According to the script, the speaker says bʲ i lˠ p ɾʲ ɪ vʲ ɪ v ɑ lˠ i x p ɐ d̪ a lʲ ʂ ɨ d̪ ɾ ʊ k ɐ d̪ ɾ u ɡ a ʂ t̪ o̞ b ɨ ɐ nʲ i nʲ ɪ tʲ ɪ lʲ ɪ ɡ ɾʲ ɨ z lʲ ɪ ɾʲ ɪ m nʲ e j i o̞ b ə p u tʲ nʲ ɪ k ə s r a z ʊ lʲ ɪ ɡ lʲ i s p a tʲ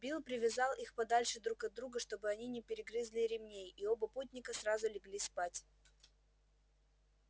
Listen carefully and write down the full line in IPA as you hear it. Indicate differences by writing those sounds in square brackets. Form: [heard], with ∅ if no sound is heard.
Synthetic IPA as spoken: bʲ i lˠ p ɾʲ ɪ vʲ ɪ [z] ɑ lˠ i x p ɐ d̪ a lʲ ʂ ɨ d̪ ɾ [u] k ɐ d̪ ɾ u ɡ [ə] ʂ t̪ o̞ b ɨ ɐ nʲ i nʲ ɪ [pʲ] ɪ [ɾʲ] ɪ ɡ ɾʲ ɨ z lʲ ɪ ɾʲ ɪ m nʲ e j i o̞ b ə p u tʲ nʲ ɪ k ə s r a z ʊ lʲ ɪ ɡ lʲ i s p a tʲ